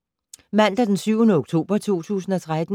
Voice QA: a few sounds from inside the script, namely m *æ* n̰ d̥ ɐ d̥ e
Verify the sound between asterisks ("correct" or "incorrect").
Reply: correct